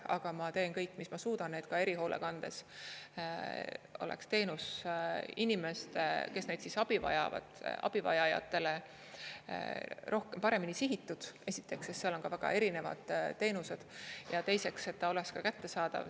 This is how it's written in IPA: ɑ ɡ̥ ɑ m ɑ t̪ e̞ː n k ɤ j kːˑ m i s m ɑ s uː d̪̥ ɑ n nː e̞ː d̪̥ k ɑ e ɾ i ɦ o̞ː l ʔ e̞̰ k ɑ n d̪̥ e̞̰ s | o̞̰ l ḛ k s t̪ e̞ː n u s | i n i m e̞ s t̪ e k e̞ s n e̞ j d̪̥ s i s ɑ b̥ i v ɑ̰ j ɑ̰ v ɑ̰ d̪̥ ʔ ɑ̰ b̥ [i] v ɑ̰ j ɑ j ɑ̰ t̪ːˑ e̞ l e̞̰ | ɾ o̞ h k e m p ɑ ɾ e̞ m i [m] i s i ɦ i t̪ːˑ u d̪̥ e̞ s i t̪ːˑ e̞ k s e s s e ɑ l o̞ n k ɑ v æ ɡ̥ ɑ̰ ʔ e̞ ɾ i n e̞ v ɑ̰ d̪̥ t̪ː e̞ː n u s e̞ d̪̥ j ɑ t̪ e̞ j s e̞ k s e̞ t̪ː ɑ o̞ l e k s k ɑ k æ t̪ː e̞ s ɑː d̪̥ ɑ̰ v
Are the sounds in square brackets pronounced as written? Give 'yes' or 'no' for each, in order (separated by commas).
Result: yes, no